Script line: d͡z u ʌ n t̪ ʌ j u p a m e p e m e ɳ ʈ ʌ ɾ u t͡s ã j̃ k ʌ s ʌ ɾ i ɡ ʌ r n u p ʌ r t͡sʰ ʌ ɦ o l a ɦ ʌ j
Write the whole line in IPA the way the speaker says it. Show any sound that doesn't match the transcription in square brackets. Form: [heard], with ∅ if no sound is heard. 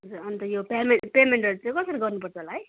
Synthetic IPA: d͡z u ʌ n t̪ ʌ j [o] p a m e p e m e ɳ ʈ ʌ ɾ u t͡s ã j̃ k ʌ s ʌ ɾ i ɡ ʌ r n u p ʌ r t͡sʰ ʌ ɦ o l a ɦ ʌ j

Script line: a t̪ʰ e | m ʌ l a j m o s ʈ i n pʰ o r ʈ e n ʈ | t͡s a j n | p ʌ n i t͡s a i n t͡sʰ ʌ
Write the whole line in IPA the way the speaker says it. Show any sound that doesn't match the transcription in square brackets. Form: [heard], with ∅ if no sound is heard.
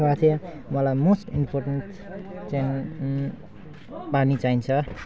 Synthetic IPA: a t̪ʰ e | m ʌ l a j m o s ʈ i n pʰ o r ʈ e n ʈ | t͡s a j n | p [a] n i t͡s a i n t͡sʰ ʌ

